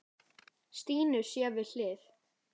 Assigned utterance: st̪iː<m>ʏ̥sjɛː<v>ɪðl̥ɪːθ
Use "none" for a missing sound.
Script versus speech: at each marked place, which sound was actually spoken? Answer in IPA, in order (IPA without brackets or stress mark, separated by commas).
n, v